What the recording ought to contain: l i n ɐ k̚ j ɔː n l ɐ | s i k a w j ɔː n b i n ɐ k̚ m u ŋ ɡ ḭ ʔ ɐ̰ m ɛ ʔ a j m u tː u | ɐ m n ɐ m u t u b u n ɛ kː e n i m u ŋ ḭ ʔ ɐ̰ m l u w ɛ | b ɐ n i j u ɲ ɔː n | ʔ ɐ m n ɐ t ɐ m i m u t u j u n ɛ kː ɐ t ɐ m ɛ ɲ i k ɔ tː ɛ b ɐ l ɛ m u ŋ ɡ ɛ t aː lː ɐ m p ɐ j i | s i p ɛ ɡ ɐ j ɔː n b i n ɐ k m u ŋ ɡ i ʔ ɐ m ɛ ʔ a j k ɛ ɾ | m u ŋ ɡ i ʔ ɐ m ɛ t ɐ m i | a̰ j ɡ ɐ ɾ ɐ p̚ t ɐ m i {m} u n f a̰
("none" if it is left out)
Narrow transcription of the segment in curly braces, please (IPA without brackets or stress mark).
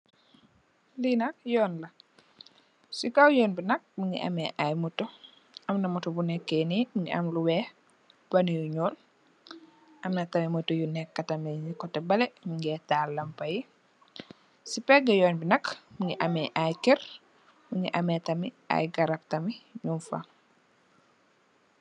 ɲ